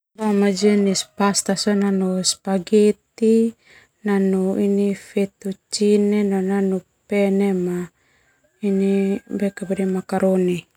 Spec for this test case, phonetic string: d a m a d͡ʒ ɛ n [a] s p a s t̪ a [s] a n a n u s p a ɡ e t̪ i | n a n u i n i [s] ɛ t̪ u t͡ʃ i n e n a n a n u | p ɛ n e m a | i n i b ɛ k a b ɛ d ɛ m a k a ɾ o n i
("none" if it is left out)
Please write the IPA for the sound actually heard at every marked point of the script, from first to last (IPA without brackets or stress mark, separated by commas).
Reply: i, s, f